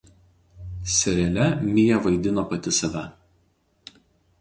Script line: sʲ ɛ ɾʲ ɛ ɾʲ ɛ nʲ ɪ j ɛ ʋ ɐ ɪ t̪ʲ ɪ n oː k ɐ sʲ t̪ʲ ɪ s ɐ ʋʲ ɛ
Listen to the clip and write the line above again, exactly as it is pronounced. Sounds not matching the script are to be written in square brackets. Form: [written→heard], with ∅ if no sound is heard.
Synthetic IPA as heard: sʲ ɛ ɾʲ ɛ [ɾʲ→lʲ] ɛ [nʲ→mʲ] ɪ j ɛ ʋ ɐ ɪ [t̪ʲ→d̪ʲ] ɪ n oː [k→p] ɐ [sʲ→∅] t̪ʲ ɪ s ɐ ʋʲ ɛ